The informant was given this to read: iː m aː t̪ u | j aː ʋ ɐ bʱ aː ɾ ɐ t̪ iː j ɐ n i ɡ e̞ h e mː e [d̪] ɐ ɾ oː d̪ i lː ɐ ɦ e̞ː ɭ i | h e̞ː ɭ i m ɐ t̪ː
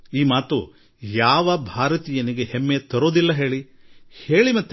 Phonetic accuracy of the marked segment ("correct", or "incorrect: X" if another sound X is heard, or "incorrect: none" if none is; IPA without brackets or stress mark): incorrect: t̪